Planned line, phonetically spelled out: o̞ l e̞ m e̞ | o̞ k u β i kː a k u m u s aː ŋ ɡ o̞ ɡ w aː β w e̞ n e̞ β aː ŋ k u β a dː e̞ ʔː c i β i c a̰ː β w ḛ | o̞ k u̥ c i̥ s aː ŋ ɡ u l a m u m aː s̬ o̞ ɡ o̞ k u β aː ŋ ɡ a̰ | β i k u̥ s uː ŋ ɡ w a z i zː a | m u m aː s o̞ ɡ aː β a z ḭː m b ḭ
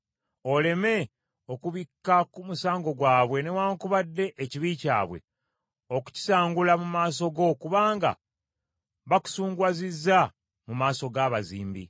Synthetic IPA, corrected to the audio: o̞ l e̞ m e̞ | o̞ k u β i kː a k u m u s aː ŋ ɡ o̞ ɡ w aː β w e̞ n e̞ w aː ŋ k u β a dː e̞ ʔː c i β i c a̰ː β w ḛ | o̞ k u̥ c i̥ s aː ŋ ɡ u l a m u m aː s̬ o̞ ɡ o̞ k u β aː ŋ ɡ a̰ | β a k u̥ s uː ŋ ɡ w a z i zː a | m u m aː s o̞ ɡ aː β a z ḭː m b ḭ